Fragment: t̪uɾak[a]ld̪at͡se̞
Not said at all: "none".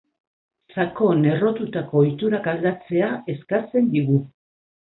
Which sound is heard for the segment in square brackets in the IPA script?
a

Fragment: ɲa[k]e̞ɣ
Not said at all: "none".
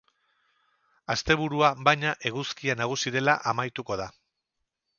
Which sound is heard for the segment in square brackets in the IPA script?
ʔ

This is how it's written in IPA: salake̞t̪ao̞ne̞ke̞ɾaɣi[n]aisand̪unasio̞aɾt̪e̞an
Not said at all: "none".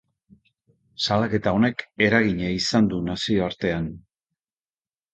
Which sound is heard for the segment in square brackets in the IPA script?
ɲ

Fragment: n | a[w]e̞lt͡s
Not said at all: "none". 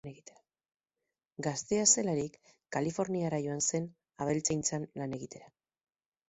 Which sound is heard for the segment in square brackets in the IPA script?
β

